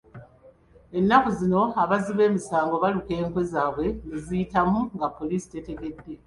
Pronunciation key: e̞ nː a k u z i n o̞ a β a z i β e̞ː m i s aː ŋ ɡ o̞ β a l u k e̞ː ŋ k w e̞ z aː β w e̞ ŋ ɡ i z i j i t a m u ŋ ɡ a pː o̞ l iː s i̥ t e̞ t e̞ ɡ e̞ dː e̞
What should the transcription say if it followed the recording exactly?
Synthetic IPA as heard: e̞ nː a k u z i n o̞ a β a z i β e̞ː m i s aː ŋ ɡ o̞ β a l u k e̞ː ŋ k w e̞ z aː β w e̞ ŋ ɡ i z i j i t a m u ŋ ɡ a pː o̞ l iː s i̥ t e̞ t e̞ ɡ e̞ dː e̞